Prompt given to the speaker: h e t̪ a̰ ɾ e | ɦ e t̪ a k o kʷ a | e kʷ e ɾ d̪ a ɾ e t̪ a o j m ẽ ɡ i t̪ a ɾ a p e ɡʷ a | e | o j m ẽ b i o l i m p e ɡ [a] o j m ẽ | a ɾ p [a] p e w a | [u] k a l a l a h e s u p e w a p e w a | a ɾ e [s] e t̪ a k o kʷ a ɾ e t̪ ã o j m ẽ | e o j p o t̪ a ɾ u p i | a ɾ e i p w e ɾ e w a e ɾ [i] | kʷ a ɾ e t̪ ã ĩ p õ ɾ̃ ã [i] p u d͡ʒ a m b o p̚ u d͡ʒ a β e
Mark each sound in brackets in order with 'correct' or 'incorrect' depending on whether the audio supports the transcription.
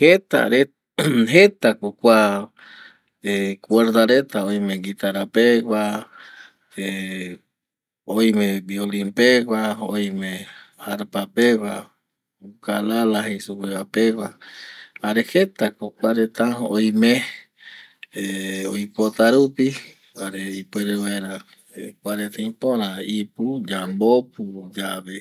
correct, correct, correct, incorrect, incorrect, correct

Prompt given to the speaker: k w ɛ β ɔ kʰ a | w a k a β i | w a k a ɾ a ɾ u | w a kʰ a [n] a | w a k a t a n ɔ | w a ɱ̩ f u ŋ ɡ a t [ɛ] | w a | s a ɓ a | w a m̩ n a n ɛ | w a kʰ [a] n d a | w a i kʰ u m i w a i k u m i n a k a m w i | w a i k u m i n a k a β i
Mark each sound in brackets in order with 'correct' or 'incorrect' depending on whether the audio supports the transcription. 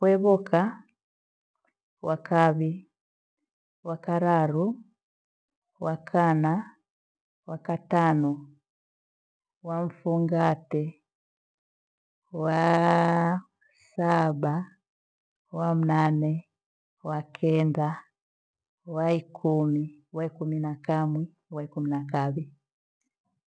correct, correct, incorrect

